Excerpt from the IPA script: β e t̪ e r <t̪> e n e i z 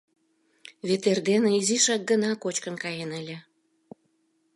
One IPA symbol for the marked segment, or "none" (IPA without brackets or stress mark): d̪